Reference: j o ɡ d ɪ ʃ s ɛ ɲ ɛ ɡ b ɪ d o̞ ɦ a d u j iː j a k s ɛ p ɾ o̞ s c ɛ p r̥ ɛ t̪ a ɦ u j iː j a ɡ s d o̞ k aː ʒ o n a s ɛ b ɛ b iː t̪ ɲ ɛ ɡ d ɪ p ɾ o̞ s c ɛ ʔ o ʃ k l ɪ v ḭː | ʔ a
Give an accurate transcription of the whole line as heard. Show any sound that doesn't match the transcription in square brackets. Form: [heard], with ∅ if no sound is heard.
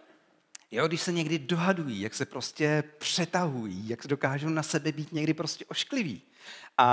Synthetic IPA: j o ɡ d ɪ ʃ s ɛ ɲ ɛ ɡ [d] ɪ d o̞ ɦ a d u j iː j a k s ɛ p ɾ o̞ s c ɛ p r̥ ɛ t̪ a ɦ u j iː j a [k] s d o̞ k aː ʒ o n a s ɛ b ɛ b iː t̪ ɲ ɛ ɡ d ɪ p ɾ o̞ s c ɛ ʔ o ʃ k l ɪ v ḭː | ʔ a